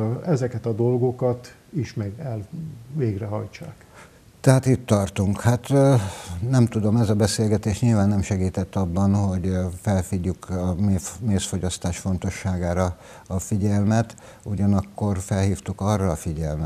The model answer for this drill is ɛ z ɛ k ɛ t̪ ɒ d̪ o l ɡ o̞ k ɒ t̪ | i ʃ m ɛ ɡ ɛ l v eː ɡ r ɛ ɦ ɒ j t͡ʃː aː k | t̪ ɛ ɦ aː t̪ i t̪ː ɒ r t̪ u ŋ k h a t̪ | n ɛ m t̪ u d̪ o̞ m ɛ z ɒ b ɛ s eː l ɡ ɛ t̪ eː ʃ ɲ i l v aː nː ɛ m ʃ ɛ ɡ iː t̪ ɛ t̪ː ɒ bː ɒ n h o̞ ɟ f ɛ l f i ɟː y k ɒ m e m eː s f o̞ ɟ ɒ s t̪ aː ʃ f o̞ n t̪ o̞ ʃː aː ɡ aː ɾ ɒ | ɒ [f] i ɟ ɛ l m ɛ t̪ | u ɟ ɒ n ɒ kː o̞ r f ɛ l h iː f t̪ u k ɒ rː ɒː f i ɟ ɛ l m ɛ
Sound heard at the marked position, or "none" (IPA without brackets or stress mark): f